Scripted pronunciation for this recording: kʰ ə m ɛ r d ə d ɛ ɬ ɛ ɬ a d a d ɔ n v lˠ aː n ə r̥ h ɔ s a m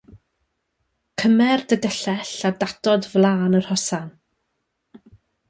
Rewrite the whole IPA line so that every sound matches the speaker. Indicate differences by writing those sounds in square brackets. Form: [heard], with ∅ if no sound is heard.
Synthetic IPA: kʰ ə m ɛ r d ə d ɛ ɬ ɛ ɬ a d a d ɔ [d] v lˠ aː n ə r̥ h ɔ s a [n]